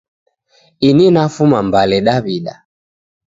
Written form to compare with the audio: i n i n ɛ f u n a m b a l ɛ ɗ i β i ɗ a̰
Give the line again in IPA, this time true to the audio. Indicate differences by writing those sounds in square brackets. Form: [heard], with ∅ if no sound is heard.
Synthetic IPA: i n i n [a] f u [m] a m b a l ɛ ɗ [a] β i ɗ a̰